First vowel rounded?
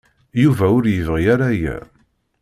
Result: yes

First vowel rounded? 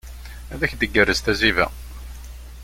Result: no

